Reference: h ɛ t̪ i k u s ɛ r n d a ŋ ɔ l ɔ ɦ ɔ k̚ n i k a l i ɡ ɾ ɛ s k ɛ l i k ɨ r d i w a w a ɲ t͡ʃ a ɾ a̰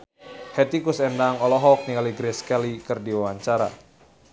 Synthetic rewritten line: h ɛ t̪ i k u s ɛ n d a ŋ ɔ l ɔ ɦ ɔ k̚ n i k a l i ɡ ɾ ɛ s k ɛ l i k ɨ r d i w a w a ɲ t͡ʃ a ɾ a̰